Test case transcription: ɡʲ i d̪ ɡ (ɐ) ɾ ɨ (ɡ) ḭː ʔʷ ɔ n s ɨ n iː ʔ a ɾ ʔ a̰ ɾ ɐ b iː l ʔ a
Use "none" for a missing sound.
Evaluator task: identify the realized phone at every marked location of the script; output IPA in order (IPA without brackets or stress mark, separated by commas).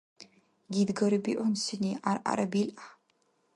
ɐ, b